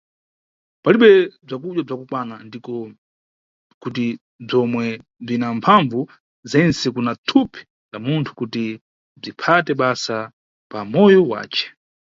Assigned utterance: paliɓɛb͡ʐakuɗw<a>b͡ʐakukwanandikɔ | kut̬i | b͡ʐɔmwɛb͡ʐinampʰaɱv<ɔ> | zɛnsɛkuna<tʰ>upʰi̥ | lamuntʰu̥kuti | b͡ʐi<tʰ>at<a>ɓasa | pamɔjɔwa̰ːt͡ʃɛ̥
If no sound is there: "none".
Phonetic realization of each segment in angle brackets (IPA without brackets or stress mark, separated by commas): a, u, tʰ, pʰ, ɛ